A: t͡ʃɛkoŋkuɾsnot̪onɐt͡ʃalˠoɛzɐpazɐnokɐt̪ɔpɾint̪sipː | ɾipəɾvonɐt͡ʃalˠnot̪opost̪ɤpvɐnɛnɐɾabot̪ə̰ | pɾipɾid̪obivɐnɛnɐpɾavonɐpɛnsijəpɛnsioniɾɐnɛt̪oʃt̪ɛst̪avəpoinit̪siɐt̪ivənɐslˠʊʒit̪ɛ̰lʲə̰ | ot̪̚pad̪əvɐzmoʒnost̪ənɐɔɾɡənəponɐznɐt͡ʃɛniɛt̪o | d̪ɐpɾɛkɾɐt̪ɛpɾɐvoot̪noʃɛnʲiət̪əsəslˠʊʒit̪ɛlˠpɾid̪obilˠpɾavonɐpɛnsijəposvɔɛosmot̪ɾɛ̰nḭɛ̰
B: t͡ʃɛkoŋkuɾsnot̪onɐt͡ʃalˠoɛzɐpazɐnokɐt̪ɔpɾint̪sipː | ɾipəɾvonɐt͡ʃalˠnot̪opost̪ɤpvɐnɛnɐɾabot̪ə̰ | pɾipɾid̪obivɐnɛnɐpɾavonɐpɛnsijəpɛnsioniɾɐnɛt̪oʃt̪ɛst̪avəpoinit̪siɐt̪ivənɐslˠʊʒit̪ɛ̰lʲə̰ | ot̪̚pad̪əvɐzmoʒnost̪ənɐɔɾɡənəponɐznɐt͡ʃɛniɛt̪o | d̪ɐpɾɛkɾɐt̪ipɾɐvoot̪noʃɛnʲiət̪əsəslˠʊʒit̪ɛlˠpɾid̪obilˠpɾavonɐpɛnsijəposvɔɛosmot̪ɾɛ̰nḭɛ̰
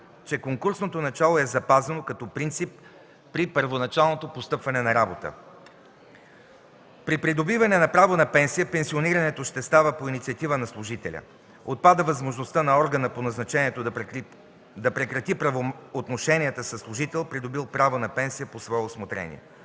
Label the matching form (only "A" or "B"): B